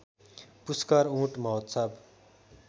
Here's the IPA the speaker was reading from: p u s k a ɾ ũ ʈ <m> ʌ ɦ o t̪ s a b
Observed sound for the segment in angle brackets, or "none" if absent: m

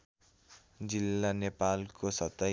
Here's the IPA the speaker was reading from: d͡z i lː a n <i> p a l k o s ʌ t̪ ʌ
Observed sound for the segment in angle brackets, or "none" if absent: e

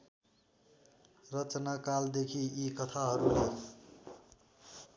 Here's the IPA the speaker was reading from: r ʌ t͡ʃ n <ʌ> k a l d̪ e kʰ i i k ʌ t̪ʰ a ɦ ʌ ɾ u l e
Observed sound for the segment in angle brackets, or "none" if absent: a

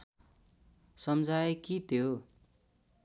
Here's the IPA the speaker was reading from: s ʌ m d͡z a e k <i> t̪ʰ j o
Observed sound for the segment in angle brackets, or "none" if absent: i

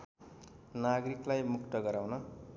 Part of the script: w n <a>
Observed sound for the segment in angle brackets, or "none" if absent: ʌ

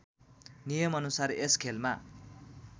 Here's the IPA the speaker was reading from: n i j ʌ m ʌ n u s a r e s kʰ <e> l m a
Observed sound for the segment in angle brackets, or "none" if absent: e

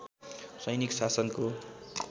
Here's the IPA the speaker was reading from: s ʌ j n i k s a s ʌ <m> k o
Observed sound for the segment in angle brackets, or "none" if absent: n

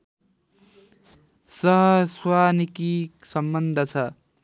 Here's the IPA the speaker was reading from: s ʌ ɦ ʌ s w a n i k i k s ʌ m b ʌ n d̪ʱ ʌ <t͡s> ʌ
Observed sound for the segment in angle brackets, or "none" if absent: t͡sʰ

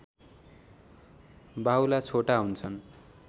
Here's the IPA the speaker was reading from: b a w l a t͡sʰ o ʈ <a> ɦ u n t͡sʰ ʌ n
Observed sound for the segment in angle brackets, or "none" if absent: a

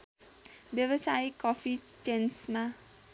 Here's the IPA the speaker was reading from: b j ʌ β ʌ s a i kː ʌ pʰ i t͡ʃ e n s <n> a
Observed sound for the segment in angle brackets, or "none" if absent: m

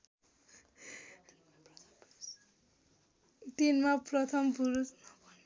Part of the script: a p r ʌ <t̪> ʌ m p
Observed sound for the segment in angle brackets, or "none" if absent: t̪ʰ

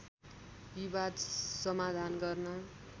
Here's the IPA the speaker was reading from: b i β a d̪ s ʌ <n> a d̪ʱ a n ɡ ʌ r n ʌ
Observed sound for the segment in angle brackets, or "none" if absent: m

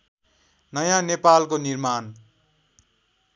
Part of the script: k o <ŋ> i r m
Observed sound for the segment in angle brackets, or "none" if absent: n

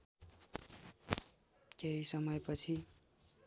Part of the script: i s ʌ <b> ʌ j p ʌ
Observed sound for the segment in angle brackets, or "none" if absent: m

